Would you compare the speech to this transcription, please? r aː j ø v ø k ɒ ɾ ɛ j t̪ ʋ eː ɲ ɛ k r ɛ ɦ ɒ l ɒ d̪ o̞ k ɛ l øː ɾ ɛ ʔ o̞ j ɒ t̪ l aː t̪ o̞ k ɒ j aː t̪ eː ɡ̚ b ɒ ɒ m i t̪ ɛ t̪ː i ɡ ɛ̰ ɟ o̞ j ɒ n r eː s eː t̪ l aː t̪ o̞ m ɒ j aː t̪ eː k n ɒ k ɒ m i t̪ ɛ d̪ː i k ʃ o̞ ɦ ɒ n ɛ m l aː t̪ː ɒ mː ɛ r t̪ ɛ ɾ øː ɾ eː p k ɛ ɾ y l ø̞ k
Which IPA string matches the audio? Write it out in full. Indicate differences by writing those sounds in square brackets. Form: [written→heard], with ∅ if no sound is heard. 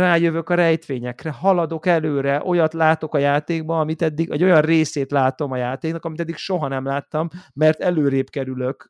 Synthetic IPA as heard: r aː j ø v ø k ɒ ɾ ɛ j t̪ ʋ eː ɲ ɛ k r ɛ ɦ ɒ l ɒ d̪ o̞ k ɛ l øː ɾ ɛ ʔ o̞ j ɒ t̪ l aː t̪ o̞ k ɒ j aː t̪ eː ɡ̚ b ɒ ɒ m i t̪ ɛ [t̪ː→d̪ː] i ɡ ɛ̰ ɟ o̞ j ɒ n r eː s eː t̪ l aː t̪ o̞ m ɒ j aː t̪ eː k n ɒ k ɒ m i t̪ ɛ d̪ː i k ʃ o̞ ɦ ɒ n ɛ m l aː t̪ː ɒ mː ɛ r t̪ ɛ [ɾ→l] øː ɾ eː p k ɛ ɾ y l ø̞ k